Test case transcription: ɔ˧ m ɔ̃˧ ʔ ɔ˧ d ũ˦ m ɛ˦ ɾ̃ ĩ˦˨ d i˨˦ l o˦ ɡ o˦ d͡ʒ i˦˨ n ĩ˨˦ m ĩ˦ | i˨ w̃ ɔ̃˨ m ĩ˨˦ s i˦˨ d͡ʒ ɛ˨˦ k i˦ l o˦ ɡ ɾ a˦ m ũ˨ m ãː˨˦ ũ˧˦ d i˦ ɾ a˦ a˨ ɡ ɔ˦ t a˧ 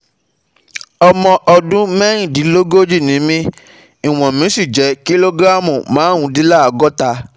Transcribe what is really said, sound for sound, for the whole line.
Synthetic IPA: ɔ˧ m ɔ̃˧ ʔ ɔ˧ d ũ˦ m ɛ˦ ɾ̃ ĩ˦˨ d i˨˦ l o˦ ɡ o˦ d͡ʒ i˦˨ n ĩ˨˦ m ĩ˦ | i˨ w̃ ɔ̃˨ m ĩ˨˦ s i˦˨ d͡ʒ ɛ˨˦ k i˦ l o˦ ɡ ɾ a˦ m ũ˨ m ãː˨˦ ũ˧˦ d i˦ l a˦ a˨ ɡ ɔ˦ t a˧